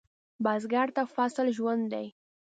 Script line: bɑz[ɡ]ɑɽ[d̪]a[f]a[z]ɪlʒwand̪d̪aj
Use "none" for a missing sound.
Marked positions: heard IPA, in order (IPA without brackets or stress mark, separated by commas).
ɡ, t̪, f, s